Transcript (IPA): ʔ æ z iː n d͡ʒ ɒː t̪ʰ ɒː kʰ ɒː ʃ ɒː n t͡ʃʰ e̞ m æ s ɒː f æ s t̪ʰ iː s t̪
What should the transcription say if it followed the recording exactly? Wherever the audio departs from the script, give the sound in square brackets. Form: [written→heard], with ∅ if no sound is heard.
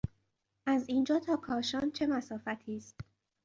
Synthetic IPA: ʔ æ z iː n d͡ʒ ɒː t̪ʰ ɒː kʰ ɒː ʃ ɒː n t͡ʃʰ e̞ m æ s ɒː f æ [s→∅] t̪ʰ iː s t̪